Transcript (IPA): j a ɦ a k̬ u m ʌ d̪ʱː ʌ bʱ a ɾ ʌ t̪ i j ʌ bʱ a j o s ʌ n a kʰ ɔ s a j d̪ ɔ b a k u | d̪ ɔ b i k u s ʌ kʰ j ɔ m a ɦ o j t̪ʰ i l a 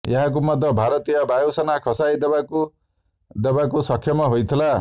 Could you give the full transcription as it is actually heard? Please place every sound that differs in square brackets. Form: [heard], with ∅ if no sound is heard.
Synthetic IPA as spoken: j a ɦ a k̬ u m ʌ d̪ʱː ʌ bʱ a ɾ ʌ t̪ i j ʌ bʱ a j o s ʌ n a kʰ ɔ s a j d̪ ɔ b a k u | d̪ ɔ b [a] k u s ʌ kʰ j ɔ m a ɦ o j t̪ʰ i l a